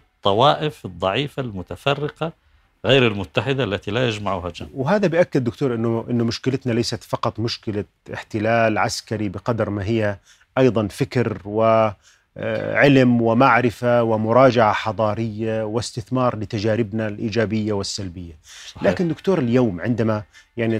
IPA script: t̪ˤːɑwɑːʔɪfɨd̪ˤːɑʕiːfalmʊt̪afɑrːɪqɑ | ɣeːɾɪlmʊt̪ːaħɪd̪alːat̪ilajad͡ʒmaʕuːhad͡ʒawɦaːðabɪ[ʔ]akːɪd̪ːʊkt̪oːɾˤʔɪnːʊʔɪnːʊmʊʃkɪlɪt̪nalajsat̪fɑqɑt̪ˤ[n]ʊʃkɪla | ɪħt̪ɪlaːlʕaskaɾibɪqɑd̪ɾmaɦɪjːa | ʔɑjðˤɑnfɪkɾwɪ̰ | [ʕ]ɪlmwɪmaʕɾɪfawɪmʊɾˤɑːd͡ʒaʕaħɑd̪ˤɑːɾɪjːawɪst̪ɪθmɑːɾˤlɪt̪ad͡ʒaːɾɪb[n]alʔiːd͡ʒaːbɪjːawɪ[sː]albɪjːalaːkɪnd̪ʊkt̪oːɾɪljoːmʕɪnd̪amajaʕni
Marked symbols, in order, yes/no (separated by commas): yes, no, yes, yes, yes